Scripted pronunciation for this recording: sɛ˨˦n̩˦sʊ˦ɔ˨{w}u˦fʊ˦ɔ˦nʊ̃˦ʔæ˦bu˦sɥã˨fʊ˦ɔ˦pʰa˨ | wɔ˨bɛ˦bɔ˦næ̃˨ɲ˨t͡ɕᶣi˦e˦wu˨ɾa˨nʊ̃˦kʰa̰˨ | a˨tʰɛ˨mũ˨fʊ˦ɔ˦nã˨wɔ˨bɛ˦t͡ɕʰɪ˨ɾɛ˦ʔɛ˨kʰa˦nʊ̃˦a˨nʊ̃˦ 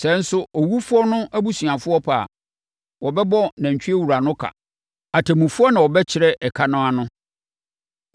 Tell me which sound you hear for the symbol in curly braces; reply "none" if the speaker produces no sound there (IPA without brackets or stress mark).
w